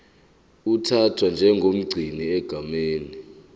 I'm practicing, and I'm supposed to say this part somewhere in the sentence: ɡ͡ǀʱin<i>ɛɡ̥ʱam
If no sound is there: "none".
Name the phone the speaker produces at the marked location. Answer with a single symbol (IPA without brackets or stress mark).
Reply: i